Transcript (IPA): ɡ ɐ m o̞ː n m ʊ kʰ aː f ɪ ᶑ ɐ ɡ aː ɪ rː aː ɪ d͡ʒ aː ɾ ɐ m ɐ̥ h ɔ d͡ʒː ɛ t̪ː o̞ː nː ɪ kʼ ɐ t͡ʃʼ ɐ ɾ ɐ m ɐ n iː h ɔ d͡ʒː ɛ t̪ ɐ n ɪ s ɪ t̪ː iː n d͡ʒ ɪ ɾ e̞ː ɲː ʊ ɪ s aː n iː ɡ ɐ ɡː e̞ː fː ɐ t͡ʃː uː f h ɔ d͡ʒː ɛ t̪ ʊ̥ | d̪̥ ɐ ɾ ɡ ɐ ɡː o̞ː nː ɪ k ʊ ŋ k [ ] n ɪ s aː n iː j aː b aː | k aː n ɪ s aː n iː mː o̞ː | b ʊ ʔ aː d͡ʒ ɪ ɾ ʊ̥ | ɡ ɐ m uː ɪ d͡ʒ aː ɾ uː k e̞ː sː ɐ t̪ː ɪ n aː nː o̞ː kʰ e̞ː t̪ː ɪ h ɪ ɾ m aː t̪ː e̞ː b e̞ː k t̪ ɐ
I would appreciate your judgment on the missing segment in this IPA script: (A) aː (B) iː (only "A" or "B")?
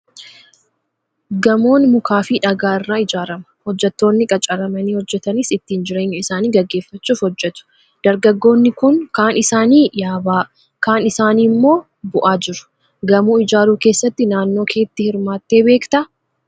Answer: A